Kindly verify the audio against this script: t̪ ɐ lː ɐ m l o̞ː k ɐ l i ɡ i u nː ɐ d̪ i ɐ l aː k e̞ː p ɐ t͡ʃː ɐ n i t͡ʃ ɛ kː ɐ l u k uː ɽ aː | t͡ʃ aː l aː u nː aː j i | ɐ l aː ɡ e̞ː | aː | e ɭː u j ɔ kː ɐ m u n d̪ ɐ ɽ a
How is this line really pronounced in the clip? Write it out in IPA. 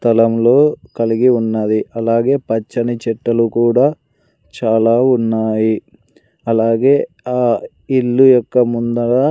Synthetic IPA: t̪ ɐ l ɐ m l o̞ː k ɐ l i ɡ i u nː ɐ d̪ i ɐ l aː ɡ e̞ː p ɐ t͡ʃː ɐ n i t͡ʃ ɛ ʈː ɐ l u k uː ɽ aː | t͡ʃ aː l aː u nː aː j i | ɐ l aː ɡ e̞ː | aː | i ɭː u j ɔ kː ɐ m u n d̪ ɐ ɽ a